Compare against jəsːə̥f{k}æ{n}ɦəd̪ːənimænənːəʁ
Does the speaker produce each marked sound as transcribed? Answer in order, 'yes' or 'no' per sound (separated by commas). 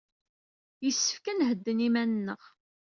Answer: yes, yes